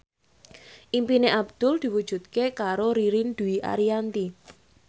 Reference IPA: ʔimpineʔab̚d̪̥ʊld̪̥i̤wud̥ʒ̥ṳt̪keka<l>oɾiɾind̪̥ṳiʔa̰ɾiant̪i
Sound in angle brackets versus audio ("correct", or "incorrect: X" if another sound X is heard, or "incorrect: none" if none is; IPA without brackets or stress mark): incorrect: ɾ